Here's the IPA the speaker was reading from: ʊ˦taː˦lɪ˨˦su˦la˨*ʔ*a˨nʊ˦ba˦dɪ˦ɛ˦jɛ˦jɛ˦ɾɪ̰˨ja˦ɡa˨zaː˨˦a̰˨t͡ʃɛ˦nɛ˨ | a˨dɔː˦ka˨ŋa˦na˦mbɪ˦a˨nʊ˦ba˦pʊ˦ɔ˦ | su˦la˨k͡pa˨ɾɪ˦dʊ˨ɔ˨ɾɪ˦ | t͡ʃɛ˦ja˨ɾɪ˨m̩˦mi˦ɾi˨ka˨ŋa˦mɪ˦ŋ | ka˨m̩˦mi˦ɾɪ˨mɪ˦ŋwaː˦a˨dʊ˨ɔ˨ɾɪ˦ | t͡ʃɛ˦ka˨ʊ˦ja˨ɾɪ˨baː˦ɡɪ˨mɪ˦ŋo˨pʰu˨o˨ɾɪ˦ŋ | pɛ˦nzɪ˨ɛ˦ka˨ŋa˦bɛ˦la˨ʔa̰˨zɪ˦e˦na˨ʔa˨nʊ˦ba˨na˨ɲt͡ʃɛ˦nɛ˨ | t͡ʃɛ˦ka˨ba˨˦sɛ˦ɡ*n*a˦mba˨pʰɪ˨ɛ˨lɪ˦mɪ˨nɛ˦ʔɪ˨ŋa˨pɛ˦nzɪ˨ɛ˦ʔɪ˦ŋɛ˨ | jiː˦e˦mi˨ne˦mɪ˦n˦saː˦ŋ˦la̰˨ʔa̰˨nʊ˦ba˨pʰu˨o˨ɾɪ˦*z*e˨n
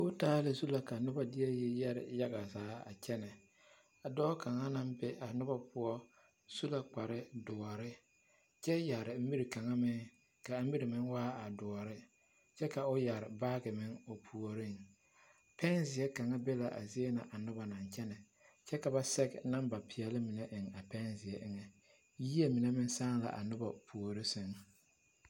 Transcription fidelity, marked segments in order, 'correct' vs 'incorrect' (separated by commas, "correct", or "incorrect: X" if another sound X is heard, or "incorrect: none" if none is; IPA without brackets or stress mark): incorrect: k, correct, incorrect: s